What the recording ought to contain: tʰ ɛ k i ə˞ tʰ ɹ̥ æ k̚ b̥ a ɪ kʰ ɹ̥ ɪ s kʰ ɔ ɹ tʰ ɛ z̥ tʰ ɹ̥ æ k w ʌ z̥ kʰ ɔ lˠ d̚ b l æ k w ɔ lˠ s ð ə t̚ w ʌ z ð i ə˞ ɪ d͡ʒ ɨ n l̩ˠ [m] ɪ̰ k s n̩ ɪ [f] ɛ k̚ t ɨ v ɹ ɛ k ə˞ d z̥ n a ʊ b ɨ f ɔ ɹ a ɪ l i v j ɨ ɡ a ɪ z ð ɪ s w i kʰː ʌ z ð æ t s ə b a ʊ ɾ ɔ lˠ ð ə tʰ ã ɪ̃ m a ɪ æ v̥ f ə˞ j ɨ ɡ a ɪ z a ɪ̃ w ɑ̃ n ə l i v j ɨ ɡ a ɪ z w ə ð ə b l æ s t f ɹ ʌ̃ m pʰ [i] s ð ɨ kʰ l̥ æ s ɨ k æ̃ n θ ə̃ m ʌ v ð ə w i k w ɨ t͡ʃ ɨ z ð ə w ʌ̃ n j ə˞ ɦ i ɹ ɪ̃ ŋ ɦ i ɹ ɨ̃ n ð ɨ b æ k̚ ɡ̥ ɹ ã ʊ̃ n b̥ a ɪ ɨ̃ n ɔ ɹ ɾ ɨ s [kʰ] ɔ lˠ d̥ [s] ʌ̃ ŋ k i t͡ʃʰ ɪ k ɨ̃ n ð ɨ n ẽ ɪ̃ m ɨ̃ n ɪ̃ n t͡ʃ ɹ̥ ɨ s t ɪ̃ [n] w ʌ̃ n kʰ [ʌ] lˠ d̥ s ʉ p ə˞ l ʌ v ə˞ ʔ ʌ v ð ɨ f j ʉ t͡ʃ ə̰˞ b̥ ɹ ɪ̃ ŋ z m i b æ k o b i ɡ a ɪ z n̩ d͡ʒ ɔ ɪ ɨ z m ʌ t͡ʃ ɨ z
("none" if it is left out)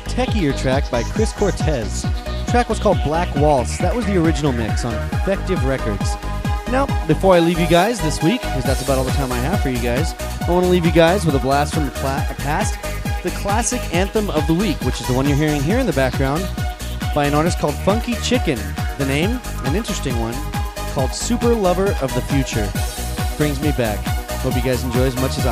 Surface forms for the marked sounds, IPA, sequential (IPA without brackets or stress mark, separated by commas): m, f, æ, kʰ, f, ŋ, ɔ